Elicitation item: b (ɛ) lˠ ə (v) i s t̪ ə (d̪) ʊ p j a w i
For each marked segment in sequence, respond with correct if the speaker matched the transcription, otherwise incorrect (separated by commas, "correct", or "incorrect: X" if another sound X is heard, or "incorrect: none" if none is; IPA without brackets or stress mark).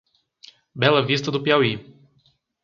correct, correct, correct